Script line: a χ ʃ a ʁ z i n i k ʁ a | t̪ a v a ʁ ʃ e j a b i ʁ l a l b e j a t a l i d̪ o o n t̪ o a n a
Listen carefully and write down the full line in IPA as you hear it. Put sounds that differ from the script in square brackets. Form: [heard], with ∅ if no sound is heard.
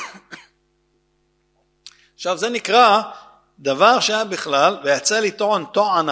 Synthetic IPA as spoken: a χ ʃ a [v] z [e] n i k ʁ a | [d̪] a v a ʁ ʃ e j a b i [χ] l a l [v] e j a [t͡s] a l i [t̪] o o n t̪ o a n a